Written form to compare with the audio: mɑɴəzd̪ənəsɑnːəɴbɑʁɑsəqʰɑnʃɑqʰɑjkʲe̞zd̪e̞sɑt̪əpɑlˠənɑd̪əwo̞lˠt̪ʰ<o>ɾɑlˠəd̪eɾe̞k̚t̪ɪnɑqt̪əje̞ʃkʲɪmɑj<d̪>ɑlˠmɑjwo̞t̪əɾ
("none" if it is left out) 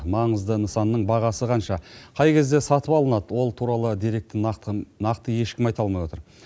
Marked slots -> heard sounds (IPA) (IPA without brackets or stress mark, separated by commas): u, t̪